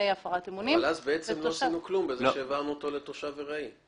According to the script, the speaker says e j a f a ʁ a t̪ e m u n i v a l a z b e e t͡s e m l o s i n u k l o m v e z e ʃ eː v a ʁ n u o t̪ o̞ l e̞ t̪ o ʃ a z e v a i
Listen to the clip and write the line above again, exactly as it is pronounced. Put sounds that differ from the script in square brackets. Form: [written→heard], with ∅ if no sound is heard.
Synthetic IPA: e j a f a ʁ a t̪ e m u n i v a l a z b e e t͡s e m l o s i n u k l [o→u] m [v→b] e z e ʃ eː v a ʁ n u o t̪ o̞ l e̞ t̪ o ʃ a [z→v] e [v→ʁ] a i